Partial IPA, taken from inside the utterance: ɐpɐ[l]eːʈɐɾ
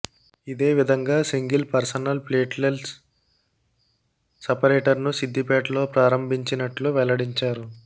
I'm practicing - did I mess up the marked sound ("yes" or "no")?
yes